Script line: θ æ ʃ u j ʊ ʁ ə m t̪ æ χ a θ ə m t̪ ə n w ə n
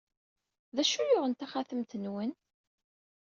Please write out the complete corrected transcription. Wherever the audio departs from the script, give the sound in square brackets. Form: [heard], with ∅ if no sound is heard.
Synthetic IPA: [ð] æ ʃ u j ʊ ʁ ə [n] t̪ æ χ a θ ə m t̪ ə n w ə n